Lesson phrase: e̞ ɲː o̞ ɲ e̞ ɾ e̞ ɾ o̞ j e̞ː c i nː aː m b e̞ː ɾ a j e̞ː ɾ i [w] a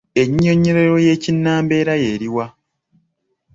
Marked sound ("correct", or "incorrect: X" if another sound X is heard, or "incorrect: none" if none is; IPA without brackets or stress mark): correct